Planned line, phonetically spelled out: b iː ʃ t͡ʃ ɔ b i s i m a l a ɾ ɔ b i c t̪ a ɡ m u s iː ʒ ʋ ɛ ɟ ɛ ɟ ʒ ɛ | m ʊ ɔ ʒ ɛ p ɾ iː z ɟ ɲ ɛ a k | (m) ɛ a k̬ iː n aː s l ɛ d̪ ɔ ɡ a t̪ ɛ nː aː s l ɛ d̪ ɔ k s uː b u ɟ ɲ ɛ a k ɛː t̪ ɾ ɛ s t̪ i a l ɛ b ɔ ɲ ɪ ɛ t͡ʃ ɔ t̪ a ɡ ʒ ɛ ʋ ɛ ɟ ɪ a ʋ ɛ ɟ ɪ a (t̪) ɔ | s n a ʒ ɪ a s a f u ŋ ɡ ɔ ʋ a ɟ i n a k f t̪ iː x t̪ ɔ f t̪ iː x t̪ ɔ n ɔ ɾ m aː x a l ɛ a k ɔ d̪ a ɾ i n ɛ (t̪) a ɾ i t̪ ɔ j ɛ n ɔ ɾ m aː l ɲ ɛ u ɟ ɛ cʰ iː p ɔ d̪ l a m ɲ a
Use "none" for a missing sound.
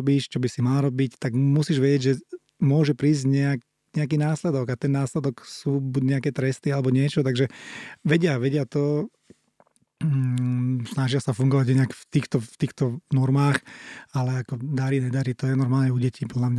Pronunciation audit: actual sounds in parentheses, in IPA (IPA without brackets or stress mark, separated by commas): ɲ, t̪, d̪